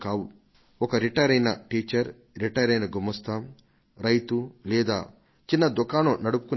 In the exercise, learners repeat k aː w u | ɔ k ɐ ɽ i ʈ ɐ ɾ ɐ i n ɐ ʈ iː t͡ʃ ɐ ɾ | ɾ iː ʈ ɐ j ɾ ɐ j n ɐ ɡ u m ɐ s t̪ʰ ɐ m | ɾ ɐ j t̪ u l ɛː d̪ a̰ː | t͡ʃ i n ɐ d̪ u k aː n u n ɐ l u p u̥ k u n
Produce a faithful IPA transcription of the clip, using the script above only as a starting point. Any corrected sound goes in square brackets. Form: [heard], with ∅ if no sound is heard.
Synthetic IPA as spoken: k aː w u | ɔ k ɐ [ɾ] i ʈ ɐ ɾ ɐ [j] n ɐ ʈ iː t͡ʃ ɐ ɾ | ɾ [i] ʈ ɐ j ɾ ɐ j n ɐ ɡ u m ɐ s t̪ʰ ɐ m | ɾ ɐ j t̪ u l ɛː d̪ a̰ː | t͡ʃ i [nː] ɐ d̪ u k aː n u n ɐ [ɽ] u p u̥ k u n